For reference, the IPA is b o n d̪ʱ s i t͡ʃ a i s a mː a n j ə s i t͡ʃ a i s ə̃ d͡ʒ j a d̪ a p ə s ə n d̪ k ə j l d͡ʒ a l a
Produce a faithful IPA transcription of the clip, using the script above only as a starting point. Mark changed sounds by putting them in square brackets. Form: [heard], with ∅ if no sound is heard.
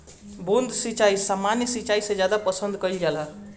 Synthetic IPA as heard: b o n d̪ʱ s i t͡ʃ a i s a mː a n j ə s i t͡ʃ a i s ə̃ d͡ʒ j a d̪ a p ə s ə n d̪ k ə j l d͡ʒ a l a